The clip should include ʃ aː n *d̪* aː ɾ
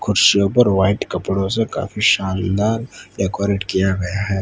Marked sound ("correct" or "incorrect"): correct